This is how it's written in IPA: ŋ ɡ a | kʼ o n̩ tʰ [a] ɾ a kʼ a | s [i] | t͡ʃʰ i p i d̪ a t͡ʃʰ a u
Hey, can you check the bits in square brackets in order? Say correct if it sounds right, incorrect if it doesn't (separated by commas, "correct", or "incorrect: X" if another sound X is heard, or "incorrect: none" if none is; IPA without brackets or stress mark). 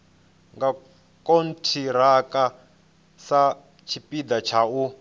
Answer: incorrect: i, incorrect: a